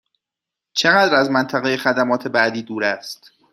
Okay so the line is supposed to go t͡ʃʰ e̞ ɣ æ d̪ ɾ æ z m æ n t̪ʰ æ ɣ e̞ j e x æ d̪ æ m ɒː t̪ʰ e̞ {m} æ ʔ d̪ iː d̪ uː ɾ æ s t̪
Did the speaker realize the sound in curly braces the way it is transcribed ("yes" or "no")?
no